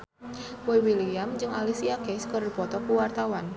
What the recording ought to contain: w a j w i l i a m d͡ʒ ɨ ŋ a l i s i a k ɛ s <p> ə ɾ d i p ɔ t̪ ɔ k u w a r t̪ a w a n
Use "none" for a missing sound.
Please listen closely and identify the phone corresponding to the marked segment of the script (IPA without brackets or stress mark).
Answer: k